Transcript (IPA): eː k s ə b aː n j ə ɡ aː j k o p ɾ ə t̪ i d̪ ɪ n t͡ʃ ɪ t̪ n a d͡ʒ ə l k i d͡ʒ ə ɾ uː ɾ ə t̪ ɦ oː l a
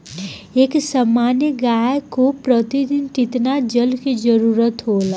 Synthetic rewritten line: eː k s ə m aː n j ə ɡ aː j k o p ɾ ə t̪ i d̪ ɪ n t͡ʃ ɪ t̪ n a d͡ʒ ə l k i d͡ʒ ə ɾ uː ɾ ə t̪ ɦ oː l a